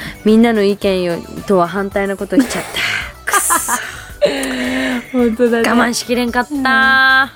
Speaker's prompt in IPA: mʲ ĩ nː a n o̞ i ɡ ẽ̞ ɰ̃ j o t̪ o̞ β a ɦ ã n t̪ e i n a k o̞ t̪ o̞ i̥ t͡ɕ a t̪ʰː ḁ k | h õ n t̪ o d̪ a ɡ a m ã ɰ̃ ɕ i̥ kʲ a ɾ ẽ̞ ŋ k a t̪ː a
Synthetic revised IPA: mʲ ĩ nː a n o̞ i k ẽ̞ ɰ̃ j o t̪ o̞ β a ɦ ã n t̪ a i n a k o̞ t̪ o̞ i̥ t͡ɕ a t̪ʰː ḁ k | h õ n t̪ o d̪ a ɡ a m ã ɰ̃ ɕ i̥ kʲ i ɾ ẽ̞ ŋ k a t̪ː a